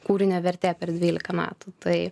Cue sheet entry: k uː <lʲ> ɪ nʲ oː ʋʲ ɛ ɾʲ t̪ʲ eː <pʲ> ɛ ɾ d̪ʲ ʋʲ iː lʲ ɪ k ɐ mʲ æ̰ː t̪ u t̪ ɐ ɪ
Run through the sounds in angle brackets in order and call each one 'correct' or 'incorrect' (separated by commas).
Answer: incorrect, correct